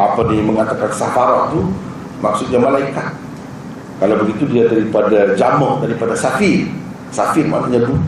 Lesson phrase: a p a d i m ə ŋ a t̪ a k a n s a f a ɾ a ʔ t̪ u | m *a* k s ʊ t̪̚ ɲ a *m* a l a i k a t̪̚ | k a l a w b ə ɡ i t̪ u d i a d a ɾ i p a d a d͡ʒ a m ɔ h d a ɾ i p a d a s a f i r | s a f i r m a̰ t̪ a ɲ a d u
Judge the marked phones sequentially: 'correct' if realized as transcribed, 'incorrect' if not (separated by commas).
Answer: correct, correct